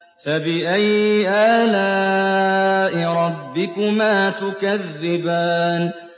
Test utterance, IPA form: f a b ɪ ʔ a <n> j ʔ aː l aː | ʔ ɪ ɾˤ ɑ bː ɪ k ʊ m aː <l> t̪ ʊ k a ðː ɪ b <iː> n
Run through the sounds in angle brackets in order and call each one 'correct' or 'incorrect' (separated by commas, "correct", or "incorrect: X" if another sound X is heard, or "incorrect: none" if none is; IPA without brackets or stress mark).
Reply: incorrect: none, incorrect: none, incorrect: aː